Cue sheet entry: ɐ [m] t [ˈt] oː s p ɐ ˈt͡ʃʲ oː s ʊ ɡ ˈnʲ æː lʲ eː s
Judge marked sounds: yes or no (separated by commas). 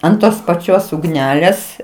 no, yes